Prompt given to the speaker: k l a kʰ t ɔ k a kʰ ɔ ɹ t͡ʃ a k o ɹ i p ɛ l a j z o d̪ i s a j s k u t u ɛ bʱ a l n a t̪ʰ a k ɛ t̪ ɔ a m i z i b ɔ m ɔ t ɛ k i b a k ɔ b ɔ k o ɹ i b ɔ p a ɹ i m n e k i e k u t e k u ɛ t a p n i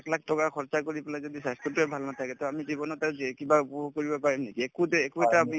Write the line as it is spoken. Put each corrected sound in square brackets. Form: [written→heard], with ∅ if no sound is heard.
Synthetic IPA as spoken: k l a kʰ t ɔ k a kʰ ɔ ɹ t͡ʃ a k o ɹ i p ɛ l a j z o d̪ i s a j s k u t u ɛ bʱ a l n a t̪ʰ a k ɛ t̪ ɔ a m i z i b ɔ [m→n] ɔ t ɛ k i b a [k→p] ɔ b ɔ k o ɹ i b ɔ p a ɹ i m n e k i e k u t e k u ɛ t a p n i